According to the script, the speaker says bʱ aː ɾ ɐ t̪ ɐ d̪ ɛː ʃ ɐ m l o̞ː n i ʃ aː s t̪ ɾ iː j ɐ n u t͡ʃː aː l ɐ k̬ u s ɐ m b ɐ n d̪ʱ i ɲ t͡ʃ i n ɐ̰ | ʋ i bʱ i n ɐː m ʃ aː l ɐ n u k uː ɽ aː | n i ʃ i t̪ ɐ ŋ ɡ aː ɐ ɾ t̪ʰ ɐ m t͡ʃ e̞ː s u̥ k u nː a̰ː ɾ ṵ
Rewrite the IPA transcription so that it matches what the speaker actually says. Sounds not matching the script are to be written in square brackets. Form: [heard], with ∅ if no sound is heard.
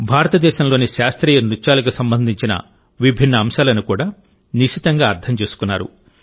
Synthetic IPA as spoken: bʱ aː ɾ ɐ t̪ ɐ d̪ ɛː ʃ ɐ m l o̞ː n i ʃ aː s t̪ ɾ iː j ɐ n u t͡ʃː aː l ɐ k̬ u s ɐ m b ɐ n d̪ʱ i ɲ t͡ʃ i n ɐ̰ | ʋ i bʱ i [nː] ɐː m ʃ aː l ɐ n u k uː ɽ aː | n i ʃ i t̪ ɐ ŋ ɡ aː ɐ ɾ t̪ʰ ɐ m t͡ʃ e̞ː s u̥ k u nː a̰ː ɾ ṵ